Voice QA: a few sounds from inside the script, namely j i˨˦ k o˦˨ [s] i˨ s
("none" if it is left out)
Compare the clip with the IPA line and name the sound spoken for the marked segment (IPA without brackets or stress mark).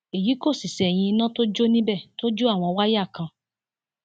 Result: s